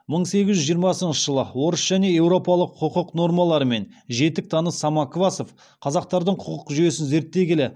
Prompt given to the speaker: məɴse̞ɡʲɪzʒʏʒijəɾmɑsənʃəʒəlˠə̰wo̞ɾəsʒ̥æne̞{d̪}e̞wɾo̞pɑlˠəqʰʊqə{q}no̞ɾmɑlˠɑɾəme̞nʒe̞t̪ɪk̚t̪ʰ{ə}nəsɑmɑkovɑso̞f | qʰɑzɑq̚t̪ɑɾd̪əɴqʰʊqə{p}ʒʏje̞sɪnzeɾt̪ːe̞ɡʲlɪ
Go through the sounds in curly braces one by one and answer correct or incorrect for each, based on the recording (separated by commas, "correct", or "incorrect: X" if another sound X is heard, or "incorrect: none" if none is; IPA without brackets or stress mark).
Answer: incorrect: none, correct, incorrect: ɑ, incorrect: q